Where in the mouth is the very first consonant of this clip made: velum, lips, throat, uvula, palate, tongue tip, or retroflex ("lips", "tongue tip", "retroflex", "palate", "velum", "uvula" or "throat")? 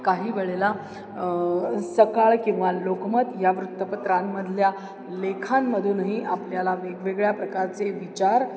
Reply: velum